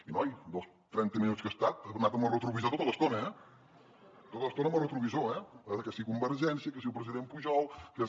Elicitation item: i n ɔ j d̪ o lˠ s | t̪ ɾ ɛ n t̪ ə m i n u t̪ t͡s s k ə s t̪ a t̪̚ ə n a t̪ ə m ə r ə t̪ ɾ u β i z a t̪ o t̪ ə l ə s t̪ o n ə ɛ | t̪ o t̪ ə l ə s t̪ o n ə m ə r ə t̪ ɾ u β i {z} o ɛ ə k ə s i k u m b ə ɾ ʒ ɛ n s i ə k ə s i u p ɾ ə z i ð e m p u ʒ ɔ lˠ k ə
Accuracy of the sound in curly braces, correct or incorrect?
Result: correct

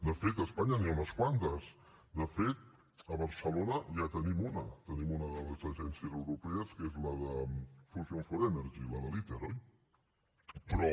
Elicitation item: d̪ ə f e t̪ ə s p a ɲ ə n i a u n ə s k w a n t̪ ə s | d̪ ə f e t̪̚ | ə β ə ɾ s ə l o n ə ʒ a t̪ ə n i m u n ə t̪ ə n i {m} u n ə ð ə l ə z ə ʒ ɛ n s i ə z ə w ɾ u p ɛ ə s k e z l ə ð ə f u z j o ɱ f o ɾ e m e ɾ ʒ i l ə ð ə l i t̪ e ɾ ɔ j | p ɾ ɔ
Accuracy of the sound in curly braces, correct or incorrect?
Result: correct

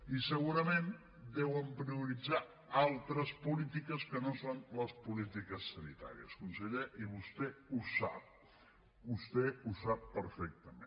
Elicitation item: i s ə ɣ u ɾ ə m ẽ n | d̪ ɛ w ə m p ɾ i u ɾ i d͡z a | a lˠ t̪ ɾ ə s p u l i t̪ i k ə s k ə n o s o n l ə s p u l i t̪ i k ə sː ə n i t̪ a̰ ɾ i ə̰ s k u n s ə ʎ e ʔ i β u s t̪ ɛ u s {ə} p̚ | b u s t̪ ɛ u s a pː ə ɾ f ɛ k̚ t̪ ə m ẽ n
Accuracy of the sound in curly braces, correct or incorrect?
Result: incorrect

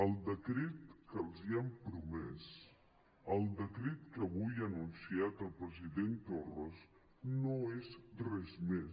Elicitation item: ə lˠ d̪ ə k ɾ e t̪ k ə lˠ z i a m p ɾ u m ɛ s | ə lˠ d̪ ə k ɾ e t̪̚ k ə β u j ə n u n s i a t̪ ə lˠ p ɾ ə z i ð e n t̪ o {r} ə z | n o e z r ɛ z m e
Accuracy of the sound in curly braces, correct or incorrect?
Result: correct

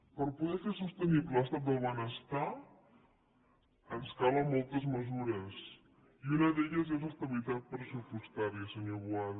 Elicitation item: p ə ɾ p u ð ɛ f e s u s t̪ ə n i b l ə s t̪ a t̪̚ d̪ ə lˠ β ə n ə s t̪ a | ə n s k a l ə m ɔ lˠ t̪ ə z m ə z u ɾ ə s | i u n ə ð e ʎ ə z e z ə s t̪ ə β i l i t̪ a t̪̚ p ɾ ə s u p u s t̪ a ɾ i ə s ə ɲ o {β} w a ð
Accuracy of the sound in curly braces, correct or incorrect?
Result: correct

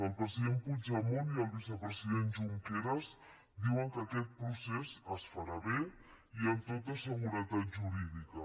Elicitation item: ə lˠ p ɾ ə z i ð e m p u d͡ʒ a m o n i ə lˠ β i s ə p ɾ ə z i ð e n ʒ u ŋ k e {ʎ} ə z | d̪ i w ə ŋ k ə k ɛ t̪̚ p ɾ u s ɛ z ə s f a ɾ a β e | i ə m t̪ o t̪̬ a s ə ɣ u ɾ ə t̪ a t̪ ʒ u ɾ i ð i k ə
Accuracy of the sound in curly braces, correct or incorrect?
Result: incorrect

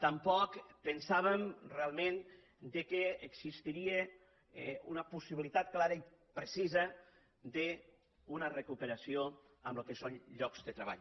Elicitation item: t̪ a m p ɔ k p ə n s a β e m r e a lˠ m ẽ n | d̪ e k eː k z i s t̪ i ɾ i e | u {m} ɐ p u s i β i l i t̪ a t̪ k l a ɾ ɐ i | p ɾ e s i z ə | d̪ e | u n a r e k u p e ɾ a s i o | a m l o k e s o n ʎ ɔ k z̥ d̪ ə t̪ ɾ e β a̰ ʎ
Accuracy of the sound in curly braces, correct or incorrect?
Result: incorrect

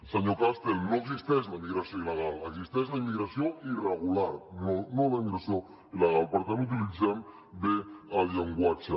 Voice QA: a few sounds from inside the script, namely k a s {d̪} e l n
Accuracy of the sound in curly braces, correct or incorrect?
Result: incorrect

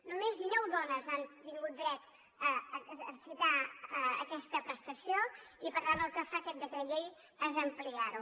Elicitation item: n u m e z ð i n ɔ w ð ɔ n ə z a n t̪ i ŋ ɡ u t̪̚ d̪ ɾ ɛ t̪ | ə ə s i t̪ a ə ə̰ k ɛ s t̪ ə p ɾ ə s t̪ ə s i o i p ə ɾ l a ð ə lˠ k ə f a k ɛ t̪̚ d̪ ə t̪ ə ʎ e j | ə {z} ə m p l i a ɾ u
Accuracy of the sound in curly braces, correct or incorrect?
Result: correct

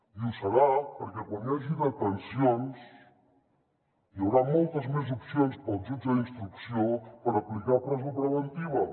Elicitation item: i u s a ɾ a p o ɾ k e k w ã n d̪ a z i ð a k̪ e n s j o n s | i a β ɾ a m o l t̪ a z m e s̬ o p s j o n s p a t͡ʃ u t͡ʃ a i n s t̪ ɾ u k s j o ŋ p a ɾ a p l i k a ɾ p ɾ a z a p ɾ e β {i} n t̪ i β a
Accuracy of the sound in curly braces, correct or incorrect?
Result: incorrect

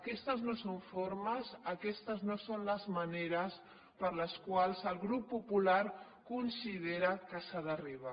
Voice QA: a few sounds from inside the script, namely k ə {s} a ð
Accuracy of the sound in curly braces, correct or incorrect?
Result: correct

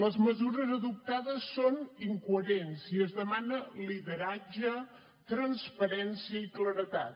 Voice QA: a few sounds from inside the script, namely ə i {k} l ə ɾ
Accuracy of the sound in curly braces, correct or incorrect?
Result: correct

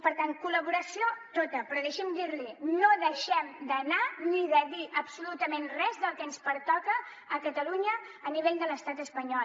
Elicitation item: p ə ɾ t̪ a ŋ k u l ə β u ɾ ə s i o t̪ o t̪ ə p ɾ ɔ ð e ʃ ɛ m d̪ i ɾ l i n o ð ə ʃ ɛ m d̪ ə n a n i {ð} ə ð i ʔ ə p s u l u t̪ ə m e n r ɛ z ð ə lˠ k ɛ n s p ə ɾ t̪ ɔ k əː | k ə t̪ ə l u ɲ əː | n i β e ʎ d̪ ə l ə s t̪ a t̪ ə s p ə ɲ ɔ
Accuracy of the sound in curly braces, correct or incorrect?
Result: correct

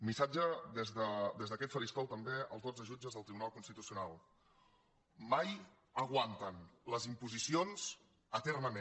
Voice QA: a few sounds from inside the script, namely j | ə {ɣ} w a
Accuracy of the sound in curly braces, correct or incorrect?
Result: correct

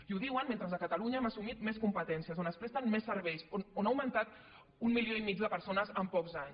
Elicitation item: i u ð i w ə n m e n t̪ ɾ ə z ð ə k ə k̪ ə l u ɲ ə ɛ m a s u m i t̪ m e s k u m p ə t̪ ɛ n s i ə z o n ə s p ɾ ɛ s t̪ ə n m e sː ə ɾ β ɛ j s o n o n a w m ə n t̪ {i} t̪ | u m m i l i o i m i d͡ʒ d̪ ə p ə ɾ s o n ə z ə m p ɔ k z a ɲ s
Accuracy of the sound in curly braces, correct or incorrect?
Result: incorrect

